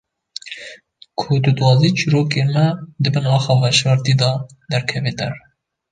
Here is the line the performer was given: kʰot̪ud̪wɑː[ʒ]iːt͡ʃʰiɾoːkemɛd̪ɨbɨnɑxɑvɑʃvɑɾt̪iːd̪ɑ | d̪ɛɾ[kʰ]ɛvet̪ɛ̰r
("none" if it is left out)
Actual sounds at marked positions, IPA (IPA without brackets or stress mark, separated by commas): z, kʰ